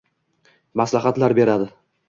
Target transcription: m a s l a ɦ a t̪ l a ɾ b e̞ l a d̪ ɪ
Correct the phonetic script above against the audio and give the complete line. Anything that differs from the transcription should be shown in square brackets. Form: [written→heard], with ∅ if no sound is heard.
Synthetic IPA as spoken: m a s l a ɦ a t̪ l a ɾ b e̞ [l→ɾ] a d̪ ɪ